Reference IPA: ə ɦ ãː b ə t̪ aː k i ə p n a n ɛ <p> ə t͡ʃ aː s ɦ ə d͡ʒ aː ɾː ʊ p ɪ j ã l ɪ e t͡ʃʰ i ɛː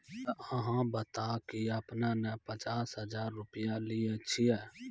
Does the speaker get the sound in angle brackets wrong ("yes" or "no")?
no